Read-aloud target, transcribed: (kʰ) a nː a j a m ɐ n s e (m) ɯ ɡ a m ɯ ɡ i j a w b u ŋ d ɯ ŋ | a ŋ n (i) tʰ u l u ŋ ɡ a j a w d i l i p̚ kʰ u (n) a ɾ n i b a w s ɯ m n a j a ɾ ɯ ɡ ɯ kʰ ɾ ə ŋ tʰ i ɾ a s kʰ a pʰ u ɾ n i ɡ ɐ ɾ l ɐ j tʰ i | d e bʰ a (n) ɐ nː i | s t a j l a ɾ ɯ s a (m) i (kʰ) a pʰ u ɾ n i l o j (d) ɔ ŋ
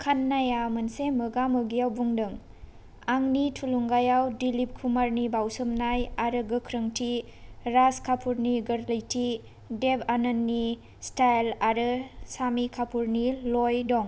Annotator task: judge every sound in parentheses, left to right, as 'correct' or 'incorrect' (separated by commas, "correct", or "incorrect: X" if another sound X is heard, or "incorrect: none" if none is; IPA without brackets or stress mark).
correct, correct, correct, incorrect: m, correct, correct, correct, correct